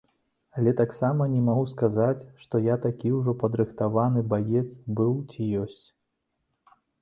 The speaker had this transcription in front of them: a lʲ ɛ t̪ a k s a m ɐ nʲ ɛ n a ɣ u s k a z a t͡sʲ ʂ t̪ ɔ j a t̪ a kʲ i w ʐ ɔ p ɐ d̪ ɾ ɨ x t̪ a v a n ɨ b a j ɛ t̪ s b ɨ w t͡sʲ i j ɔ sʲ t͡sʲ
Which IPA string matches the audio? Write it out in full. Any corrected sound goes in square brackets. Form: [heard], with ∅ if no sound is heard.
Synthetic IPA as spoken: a lʲ ɛ t̪ a k s a m ɐ nʲ ɛ [m] a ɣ u s k a z a t͡sʲ ʂ t̪ ɔ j a t̪ a kʲ i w ʐ ɔ p ɐ d̪ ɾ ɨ x t̪ a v a n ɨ b a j ɛ t̪ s b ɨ w t͡sʲ i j ɔ sʲ t͡sʲ